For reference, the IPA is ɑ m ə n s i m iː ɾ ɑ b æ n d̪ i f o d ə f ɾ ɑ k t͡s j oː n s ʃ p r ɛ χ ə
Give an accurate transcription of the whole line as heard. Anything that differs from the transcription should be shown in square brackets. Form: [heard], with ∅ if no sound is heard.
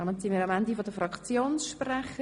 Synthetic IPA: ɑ m ə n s i m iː ɾ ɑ [m] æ n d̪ i f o d ə f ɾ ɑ k t͡s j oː n s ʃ p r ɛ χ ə